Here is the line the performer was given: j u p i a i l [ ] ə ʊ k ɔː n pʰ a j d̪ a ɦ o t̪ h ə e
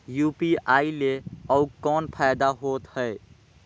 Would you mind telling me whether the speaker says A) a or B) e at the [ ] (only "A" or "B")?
B